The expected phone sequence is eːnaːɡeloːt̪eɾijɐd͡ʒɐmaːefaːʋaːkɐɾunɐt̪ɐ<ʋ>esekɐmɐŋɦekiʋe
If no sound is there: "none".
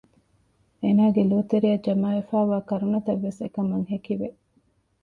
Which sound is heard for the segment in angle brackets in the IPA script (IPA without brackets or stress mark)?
ʋː